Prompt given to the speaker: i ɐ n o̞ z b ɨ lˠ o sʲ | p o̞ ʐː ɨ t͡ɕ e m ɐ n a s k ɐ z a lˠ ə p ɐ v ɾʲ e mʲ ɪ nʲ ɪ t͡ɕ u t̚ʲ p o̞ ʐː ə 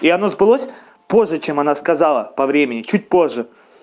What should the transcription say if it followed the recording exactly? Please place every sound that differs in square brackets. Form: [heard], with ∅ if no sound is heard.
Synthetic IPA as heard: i ɐ n o̞ z b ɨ lˠ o sʲ | p o̞ ʐː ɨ t͡ɕ e m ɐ n a s k ɐ z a lˠ ə p ɐ v ɾʲ e mʲ ɪ nʲ ɪ t͡ɕ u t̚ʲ p o̞ ʐː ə